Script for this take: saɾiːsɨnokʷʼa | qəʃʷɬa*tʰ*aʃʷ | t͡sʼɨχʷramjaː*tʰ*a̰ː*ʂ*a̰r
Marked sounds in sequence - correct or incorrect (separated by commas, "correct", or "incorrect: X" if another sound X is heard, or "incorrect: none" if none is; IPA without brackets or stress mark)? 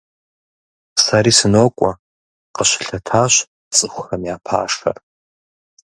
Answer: correct, incorrect: pʰ, correct